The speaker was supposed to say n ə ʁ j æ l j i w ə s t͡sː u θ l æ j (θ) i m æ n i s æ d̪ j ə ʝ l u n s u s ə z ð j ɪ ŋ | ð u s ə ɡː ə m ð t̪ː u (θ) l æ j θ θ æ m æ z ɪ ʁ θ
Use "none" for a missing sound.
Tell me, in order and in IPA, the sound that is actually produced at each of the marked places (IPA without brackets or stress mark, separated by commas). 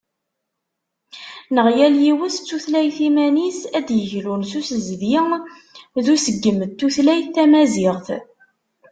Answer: θ, θ